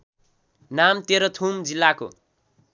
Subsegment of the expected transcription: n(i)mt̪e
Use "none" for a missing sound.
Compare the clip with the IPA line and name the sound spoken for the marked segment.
a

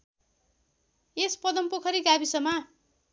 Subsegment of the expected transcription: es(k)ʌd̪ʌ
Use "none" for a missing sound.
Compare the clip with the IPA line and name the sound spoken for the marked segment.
p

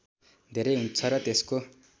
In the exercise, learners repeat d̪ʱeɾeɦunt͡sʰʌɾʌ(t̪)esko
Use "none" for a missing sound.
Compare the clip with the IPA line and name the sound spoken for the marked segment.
t̪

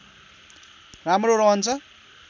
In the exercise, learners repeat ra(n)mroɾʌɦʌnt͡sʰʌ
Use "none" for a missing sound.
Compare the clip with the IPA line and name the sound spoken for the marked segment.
none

